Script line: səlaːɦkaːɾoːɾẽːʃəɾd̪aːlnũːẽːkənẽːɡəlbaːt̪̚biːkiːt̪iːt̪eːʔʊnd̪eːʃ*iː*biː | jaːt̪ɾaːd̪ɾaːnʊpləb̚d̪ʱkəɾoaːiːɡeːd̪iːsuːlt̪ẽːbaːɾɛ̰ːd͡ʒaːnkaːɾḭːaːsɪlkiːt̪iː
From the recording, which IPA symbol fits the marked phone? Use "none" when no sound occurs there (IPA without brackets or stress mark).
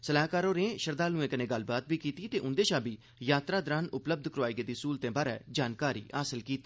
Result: aː